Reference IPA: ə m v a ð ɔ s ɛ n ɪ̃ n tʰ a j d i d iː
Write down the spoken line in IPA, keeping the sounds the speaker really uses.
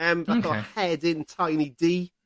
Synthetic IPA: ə m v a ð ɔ h ɛ d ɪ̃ n tʰ a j n i d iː